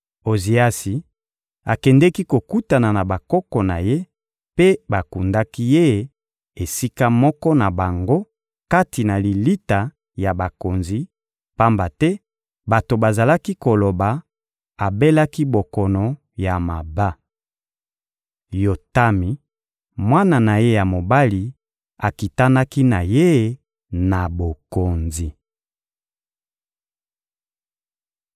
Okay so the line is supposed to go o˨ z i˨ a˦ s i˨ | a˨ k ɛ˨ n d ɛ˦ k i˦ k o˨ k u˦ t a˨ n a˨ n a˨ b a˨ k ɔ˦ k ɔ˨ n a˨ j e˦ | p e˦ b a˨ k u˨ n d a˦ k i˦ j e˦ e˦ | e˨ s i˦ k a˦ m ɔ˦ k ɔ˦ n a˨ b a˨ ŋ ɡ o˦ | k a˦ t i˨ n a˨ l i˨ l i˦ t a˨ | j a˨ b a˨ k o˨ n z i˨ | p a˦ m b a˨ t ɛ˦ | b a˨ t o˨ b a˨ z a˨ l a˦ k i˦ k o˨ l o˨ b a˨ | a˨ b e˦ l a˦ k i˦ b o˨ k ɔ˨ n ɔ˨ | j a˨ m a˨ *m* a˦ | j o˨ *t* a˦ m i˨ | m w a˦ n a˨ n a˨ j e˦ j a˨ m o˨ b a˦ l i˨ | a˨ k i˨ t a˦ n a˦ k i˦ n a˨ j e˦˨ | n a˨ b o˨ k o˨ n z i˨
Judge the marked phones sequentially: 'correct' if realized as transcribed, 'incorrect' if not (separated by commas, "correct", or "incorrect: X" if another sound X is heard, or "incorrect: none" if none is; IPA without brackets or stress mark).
incorrect: b, correct